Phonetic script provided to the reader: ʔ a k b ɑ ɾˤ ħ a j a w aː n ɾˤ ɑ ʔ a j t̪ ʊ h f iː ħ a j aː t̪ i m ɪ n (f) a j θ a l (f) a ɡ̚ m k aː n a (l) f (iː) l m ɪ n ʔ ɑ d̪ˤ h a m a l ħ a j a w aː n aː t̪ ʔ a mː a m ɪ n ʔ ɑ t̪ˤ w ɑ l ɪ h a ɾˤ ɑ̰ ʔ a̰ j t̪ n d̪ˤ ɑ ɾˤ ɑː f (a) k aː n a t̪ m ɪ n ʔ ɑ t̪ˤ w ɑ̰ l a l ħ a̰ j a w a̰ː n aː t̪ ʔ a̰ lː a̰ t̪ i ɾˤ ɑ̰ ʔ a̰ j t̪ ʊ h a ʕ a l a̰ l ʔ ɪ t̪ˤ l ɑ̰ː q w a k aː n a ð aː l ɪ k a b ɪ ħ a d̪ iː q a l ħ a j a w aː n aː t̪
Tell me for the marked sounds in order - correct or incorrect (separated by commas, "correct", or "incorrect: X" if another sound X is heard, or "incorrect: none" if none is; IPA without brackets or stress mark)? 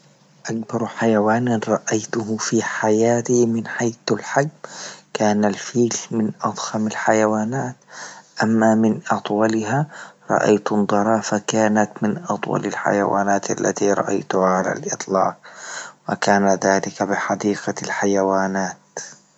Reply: incorrect: ħ, incorrect: ħ, correct, correct, correct